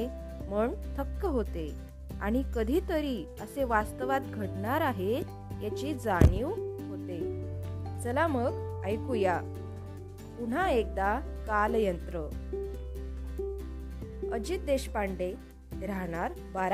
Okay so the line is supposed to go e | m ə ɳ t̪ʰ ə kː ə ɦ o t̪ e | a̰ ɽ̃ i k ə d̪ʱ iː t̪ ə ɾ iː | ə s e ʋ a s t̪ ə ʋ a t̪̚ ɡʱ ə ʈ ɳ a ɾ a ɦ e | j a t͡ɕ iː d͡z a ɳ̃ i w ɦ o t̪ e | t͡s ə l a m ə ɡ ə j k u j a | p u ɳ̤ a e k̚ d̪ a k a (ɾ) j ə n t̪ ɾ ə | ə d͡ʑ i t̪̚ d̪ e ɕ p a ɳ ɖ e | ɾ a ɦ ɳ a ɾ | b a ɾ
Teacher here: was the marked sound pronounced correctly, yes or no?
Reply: no